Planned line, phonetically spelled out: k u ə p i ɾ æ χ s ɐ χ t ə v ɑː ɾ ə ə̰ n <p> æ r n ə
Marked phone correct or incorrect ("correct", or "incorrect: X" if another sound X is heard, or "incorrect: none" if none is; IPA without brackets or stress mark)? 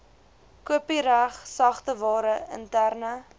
incorrect: t